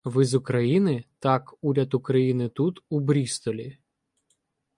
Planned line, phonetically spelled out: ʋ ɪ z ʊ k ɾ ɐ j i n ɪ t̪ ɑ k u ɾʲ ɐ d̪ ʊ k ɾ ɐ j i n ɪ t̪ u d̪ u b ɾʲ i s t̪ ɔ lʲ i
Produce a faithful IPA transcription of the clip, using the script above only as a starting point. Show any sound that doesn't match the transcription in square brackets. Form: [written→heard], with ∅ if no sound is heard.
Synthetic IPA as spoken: ʋ ɪ z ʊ k ɾ ɐ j i n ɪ t̪ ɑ k u ɾʲ ɐ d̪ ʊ k ɾ ɐ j i n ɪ t̪ u [d̪→t̪] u b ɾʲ i s t̪ ɔ lʲ i